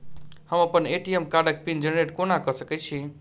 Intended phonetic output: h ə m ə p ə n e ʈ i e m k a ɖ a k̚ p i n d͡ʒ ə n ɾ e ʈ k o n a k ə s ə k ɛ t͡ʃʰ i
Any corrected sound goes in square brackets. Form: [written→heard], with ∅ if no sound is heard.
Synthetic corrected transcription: h ə m ə p ə n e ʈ i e m k a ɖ [a→ə] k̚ p i n d͡ʒ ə n ɾ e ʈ k o n a k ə s ə k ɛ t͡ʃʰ i